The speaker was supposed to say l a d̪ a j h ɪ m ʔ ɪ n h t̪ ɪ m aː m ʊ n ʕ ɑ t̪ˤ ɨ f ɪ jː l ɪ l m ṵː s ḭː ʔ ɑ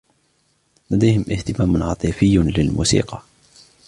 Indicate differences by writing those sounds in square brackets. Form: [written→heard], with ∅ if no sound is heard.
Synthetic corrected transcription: l a d̪ a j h ɪ m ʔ ɪ [n→∅] h t̪ ɪ m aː m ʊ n ʕ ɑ t̪ˤ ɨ f ɪ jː l ɪ l m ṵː s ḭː [ʔ→q] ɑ

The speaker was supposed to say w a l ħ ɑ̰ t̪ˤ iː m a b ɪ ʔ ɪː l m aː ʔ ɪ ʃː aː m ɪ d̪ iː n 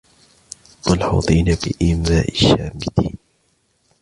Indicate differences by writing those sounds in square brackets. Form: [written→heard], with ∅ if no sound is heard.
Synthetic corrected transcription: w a l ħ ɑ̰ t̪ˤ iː [m→n] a b ɪ ʔ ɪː [l→∅] m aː ʔ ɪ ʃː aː m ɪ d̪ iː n

